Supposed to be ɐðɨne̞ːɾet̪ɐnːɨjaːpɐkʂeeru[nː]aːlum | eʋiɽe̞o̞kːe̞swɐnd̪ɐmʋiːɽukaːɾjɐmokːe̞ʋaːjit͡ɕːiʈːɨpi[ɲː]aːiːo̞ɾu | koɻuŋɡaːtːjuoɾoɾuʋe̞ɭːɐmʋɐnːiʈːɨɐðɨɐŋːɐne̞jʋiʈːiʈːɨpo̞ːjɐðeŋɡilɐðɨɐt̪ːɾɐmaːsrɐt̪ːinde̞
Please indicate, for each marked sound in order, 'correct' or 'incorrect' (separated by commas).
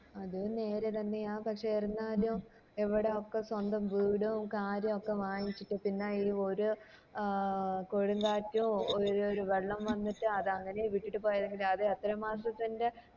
correct, incorrect